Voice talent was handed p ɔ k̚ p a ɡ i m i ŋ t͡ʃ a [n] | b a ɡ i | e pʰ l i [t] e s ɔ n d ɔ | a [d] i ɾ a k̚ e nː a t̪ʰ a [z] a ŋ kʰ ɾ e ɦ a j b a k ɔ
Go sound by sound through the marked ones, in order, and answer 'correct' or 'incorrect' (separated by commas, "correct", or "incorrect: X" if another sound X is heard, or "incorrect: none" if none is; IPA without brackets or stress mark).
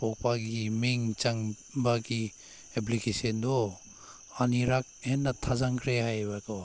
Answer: incorrect: ŋ, incorrect: k, incorrect: n, correct